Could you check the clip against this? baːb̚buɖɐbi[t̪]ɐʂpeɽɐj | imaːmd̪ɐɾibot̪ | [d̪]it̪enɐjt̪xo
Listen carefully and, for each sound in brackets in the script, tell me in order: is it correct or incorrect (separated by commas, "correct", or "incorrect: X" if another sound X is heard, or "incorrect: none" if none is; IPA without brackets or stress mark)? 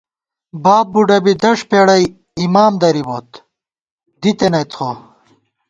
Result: incorrect: d̪, correct